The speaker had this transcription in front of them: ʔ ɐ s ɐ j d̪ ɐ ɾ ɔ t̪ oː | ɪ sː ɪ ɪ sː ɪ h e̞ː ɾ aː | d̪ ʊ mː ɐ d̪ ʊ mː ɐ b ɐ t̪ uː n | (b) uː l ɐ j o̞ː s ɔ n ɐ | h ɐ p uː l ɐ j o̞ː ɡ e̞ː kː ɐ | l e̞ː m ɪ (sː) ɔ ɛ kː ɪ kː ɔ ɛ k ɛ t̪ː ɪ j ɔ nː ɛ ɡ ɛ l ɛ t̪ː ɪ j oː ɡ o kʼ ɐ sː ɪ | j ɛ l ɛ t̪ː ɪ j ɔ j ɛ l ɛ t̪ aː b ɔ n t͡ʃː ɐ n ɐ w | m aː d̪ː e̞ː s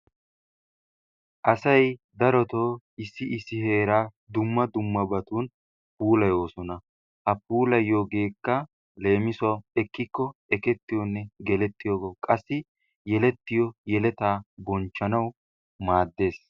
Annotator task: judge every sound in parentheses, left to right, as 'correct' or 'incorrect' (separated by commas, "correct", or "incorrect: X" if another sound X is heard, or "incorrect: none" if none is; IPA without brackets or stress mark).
incorrect: p, incorrect: s